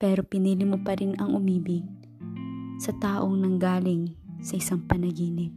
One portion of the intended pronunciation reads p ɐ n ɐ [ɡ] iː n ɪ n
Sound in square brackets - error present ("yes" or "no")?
no